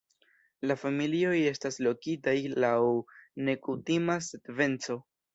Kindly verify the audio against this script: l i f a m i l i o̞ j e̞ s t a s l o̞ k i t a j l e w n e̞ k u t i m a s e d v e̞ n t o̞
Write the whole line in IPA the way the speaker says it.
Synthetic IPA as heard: l a f a m i l i o̞ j e̞ s t a s l o̞ k i t a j l a w n e̞ k u t i m a s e d v e̞ n t͡s o̞

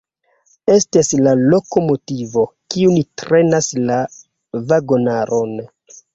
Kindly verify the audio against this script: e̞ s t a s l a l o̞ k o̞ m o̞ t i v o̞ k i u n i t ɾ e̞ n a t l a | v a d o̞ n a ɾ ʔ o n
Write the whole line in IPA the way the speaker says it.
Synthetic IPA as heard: e̞ s t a s l a l o̞ k o̞ m o̞ t i v o̞ k i u n i t ɾ e̞ n a s l a | v a ɡ o̞ n a ɾ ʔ o n

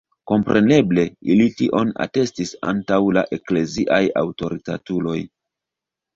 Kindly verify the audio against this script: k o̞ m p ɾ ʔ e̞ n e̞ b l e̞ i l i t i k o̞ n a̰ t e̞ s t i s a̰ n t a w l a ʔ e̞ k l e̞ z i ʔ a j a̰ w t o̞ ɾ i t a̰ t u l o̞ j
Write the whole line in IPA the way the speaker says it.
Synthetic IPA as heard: k o̞ m p ɾ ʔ e̞ n e̞ b l e̞ i l i t i ʔ o̞ n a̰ t e̞ s t i s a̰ n t a w l a ʔ e̞ k l e̞ z i ʔ a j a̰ w t o̞ ɾ i t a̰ t u l o̞ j

